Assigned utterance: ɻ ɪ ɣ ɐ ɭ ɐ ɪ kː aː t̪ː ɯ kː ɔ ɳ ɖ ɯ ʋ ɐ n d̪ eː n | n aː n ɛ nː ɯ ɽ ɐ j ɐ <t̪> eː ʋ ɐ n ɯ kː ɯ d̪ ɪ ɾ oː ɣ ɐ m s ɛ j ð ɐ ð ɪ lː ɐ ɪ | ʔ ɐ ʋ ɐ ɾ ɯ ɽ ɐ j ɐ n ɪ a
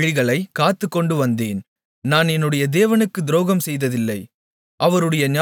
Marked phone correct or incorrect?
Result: incorrect